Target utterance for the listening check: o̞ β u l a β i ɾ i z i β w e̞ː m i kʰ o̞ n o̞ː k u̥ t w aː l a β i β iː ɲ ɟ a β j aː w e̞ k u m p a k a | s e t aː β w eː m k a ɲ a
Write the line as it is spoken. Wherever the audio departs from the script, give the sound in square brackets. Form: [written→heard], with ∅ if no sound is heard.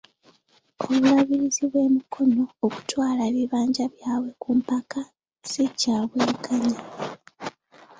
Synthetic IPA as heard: o̞ β u l a β i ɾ i z i β w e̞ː m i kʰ o̞ n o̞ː k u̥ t w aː l a β i β [iː→aː] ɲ ɟ a β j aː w e̞ k u m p a k a | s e [t→c] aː β w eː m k a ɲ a